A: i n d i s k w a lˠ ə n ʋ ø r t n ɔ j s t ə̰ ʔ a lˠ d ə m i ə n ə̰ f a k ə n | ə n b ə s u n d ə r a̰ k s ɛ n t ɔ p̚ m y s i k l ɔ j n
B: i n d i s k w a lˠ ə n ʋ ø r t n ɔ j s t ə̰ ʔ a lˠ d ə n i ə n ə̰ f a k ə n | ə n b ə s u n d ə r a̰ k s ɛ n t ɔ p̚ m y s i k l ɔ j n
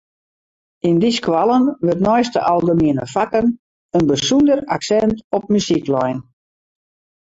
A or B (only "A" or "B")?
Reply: A